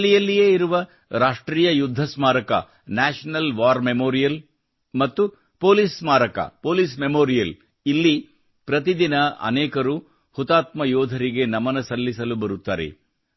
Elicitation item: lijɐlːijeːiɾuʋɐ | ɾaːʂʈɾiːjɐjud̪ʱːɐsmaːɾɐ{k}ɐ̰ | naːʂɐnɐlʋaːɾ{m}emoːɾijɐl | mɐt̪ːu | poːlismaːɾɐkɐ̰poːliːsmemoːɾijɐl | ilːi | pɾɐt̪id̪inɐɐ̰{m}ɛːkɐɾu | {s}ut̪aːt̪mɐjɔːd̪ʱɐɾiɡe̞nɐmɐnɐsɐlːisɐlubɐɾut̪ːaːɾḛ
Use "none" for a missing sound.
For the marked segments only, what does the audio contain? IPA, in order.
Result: k, m, n, h

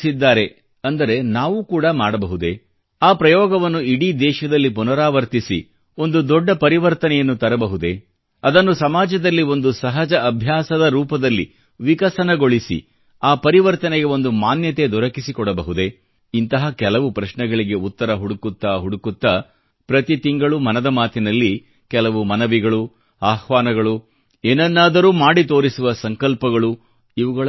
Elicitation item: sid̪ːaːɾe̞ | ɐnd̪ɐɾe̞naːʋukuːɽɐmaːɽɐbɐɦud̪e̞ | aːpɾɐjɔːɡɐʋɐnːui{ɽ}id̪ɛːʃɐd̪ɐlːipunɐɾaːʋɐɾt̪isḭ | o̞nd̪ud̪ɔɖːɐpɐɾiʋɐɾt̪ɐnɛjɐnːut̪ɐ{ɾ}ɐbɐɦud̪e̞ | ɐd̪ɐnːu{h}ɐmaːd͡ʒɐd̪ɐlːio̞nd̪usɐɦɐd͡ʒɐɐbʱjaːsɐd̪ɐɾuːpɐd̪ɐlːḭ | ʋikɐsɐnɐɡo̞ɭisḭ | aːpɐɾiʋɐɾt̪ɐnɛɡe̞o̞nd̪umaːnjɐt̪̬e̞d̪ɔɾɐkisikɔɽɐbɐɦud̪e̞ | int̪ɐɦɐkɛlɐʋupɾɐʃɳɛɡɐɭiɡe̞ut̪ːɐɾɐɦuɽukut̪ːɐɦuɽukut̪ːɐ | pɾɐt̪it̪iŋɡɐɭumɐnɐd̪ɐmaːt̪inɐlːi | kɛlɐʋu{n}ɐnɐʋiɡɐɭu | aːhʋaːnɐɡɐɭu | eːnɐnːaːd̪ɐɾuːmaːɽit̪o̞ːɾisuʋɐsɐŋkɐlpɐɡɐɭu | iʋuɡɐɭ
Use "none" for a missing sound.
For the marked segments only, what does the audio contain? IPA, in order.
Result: ɽ, ɾ, s, m

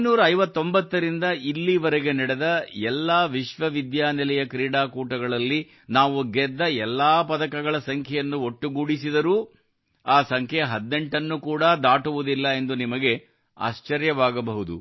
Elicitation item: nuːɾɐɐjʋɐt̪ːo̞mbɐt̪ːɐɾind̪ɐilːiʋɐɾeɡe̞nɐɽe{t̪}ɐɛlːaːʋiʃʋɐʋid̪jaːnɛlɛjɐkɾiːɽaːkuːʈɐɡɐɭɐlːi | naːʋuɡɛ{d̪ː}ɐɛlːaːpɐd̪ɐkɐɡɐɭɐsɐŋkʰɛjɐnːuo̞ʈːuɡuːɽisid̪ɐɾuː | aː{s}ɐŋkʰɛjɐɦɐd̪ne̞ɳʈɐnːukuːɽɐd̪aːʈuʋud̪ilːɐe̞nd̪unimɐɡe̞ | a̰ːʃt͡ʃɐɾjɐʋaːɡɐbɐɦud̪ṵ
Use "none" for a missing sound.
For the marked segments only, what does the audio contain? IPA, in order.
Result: d̪, d̪ː, s

